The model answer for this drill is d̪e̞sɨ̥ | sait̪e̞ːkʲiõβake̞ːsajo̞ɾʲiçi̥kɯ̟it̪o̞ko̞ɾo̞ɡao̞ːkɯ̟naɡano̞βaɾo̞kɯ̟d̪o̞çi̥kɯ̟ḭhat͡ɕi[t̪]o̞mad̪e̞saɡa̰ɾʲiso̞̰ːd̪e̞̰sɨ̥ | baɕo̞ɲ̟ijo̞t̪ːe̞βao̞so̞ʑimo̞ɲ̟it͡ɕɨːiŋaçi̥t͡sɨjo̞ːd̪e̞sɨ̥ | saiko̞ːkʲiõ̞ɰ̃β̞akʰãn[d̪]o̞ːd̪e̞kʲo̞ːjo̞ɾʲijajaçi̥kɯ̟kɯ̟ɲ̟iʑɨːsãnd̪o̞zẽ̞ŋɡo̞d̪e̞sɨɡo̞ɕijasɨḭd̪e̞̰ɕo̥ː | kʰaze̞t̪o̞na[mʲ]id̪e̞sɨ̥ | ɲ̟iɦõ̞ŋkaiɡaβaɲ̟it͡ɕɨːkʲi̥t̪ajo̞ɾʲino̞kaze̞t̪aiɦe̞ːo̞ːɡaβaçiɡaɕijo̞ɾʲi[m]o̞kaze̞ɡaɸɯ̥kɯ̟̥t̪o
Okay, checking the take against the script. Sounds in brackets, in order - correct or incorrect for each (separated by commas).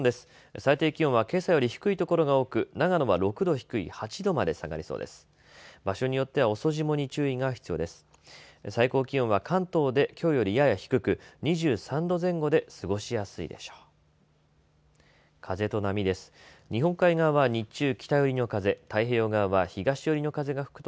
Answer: incorrect, incorrect, correct, incorrect